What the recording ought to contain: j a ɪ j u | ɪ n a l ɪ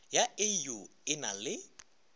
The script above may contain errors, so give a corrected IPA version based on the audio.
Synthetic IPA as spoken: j a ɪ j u | ɪ n a l ɪ